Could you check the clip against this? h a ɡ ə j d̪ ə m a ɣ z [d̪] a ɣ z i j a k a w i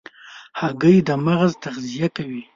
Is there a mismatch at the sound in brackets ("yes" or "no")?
yes